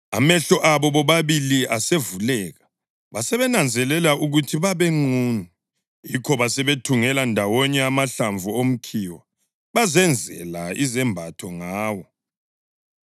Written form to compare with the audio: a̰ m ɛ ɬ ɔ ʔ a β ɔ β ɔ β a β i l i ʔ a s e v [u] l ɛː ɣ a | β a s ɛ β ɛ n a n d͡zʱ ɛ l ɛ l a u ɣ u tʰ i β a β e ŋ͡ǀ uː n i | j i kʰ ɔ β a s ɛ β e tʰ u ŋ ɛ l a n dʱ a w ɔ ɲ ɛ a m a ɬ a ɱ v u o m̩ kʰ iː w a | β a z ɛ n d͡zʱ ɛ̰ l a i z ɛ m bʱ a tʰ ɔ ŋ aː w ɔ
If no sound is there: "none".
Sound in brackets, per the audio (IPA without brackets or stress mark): u